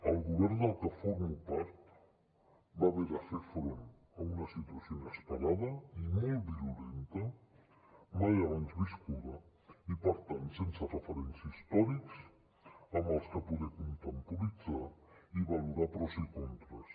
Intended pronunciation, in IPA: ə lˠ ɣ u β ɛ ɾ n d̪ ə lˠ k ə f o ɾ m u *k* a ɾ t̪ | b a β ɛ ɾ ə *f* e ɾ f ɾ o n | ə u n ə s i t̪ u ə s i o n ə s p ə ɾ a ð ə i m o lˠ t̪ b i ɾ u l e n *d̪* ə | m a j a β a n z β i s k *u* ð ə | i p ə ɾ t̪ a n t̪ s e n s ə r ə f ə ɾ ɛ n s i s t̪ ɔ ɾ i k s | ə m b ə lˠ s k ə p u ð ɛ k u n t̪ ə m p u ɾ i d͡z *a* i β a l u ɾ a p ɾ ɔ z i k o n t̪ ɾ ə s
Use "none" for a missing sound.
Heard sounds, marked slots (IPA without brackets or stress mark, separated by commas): p, f, t̪, u, a